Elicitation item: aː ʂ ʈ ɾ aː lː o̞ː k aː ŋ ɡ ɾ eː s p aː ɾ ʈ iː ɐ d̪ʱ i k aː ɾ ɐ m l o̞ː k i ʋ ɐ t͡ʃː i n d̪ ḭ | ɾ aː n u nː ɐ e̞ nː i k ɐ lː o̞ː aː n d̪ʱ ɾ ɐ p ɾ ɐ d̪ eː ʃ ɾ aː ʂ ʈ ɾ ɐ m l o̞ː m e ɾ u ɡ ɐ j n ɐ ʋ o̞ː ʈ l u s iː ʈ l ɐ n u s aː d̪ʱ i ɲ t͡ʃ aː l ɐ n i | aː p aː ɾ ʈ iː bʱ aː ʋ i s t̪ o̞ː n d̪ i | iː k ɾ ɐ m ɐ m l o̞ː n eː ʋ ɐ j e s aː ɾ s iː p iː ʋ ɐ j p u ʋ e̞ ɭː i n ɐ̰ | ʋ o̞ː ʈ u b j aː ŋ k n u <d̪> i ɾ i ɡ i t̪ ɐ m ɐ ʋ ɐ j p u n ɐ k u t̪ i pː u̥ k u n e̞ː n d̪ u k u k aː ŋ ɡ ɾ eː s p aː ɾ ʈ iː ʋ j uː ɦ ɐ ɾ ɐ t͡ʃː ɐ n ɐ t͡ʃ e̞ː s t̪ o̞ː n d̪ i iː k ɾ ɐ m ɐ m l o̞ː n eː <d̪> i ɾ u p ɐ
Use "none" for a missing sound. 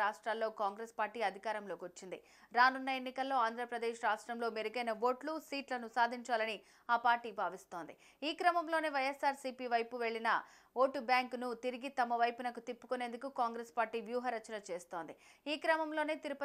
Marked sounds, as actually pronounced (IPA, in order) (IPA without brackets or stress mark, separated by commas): t̪, t̪